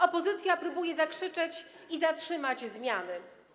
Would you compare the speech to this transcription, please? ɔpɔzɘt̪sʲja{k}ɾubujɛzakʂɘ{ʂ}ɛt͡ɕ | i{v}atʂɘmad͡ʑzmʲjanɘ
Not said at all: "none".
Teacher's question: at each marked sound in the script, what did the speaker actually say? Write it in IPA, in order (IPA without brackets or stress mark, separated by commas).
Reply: p, t͡ʂ, z